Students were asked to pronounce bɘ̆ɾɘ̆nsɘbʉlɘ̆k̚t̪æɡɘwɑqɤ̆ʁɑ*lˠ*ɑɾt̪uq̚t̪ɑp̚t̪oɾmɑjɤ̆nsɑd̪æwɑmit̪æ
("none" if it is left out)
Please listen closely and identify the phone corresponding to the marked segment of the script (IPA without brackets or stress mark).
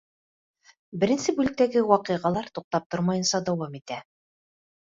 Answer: lˠ